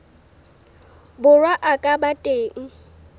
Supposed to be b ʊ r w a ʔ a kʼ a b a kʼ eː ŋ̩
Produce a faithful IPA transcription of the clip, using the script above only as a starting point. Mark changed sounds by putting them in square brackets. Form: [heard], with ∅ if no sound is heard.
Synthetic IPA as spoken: b ʊ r w a ʔ a kʼ a b a [tʼ] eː ŋ̩